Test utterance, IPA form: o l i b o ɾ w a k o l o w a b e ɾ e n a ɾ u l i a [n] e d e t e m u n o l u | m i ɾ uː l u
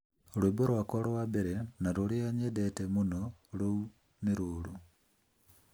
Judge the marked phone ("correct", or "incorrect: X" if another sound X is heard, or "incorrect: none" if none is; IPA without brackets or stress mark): incorrect: ɲ